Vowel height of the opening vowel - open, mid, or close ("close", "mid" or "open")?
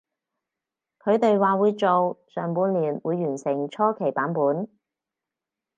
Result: mid